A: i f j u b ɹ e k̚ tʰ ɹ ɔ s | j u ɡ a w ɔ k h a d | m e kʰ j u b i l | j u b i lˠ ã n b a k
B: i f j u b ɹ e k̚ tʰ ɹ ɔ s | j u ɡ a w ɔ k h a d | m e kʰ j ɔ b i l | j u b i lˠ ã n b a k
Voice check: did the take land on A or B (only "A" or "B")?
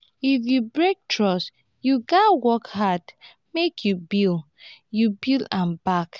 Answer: A